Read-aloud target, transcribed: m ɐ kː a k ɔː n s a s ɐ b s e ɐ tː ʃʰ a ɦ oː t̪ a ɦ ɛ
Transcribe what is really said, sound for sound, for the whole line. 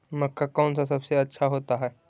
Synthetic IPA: m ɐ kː a k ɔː n s a s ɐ b s e ɐ tː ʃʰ a ɦ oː t̪ a ɦ ɛː